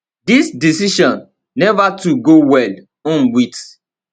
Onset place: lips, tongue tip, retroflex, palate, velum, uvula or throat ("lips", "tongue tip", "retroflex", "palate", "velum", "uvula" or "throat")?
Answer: tongue tip